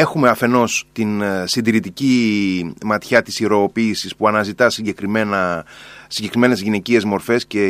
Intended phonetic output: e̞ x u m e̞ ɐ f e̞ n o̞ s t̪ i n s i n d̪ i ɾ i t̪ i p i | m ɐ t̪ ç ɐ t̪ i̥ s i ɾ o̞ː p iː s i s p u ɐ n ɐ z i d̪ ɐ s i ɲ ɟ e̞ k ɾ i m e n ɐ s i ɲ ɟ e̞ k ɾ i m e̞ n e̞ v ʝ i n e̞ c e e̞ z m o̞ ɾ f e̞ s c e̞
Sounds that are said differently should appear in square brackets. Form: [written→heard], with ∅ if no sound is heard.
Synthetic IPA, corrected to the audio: e̞ x u m e̞ ɐ f e̞ n o̞ s t̪ i n s i n d̪ i ɾ i t̪ i [p→c] i | m ɐ t̪ ç ɐ t̪ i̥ s i ɾ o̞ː p iː s i s p u ɐ n ɐ z i [d̪→t̪] ɐ s i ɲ ɟ e̞ k ɾ i m e n ɐ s i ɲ ɟ e̞ k ɾ i m e̞ n e̞ [v→z] ʝ i n e̞ c [e→i] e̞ z m o̞ ɾ f e̞ s c e̞